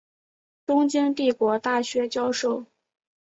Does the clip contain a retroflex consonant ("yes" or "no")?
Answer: yes